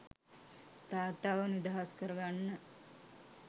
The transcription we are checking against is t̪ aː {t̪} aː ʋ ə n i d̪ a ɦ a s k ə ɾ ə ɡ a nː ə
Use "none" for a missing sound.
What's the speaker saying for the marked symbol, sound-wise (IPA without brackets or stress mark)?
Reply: t̪